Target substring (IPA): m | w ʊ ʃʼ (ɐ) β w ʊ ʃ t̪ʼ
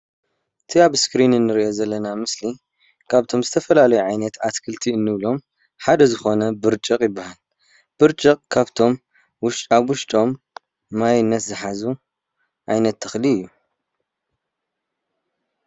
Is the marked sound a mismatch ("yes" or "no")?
yes